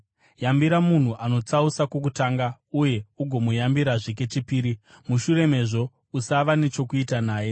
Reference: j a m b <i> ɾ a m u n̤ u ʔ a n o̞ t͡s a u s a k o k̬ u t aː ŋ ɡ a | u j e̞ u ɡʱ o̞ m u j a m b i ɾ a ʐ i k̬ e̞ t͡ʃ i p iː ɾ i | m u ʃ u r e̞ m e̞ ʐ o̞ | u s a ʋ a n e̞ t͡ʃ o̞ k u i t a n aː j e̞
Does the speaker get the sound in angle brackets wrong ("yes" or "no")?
no